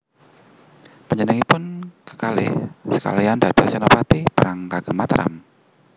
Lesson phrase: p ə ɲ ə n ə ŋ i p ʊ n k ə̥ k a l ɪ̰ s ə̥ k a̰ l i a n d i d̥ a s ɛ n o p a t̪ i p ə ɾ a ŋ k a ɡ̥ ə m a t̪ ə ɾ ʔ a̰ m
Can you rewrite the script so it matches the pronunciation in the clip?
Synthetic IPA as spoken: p ə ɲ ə n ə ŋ i p ʊ n k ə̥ k a l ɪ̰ s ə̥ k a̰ l i a n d a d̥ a s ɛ n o p a t̪ i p ə ɾ a ŋ k a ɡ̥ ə m a t̪ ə ɾ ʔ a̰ m